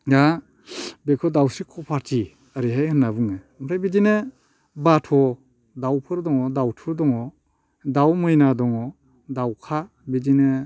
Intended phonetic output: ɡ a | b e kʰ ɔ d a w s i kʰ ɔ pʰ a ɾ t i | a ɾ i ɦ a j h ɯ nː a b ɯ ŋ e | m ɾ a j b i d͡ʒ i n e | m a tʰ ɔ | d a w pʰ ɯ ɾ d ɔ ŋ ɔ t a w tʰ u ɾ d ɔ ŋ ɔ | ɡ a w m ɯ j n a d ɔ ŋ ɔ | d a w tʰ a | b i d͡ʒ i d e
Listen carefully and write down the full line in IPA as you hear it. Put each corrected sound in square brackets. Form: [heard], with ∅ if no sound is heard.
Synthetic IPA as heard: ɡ a | b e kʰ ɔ d a w s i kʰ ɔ pʰ a ɾ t i | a ɾ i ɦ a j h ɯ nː a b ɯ ŋ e | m ɾ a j b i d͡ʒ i n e | [b] a tʰ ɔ | d a w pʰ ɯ ɾ d ɔ ŋ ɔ [d] a w tʰ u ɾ d ɔ ŋ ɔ | [d] a w m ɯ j n a d ɔ ŋ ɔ | d a w [kʰ] a | b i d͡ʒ i [n] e